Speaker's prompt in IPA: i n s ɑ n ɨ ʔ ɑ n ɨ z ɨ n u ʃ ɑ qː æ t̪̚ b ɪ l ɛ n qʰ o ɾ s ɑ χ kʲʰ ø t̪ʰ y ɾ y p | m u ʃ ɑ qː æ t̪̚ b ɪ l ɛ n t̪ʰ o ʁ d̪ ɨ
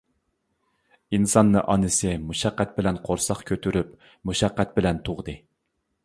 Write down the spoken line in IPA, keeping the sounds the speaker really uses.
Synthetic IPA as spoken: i n s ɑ nː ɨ ʔ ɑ n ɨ s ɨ m u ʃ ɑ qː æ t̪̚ b ɪ l ɛ n qʰ o ɾ s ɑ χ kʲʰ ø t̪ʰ y ɾ y p | m u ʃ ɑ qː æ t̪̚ b ɪ l ɛ n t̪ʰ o ʁ d̪ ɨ